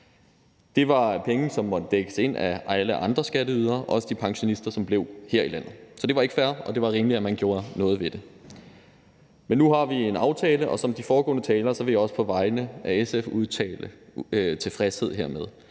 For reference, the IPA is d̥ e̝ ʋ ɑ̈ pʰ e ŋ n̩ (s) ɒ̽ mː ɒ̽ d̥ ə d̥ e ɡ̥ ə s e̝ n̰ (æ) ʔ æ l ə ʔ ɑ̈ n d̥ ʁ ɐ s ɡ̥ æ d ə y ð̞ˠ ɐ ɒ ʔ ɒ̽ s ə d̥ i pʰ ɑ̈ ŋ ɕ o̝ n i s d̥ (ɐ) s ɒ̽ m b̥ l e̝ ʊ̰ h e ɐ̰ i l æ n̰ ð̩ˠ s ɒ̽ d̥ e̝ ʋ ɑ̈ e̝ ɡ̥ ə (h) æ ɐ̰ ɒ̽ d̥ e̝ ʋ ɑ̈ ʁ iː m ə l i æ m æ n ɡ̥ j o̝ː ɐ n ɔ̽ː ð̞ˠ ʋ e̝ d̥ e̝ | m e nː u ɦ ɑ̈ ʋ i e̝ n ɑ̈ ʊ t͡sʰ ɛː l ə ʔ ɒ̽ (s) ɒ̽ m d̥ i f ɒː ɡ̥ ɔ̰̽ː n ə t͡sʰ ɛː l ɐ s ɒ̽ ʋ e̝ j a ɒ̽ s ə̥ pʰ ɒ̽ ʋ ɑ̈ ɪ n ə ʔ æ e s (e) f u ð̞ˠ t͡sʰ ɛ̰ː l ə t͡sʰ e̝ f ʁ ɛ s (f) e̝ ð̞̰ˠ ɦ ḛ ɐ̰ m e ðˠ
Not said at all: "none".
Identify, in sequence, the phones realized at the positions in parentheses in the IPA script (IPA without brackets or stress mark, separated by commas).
s, æ, ɐ, f, s, e, h